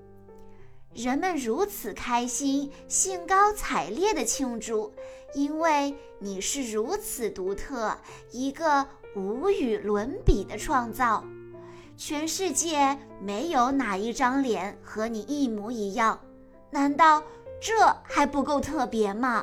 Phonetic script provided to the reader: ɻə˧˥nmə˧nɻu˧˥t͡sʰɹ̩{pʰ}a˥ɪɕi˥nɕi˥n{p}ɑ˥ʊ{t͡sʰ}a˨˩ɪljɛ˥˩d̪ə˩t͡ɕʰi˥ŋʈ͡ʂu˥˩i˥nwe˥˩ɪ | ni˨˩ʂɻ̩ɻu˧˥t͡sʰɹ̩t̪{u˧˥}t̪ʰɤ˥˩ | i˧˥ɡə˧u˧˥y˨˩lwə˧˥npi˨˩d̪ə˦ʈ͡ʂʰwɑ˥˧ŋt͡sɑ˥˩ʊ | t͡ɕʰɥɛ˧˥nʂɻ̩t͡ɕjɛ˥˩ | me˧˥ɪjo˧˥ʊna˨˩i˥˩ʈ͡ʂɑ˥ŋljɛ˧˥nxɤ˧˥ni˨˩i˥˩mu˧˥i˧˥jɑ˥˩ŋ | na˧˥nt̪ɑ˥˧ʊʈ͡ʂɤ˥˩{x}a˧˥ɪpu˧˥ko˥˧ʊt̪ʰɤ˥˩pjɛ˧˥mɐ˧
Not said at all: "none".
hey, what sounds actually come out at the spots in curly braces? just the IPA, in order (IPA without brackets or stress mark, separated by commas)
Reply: kʰ, k, t͡sʰ, u˧˥, x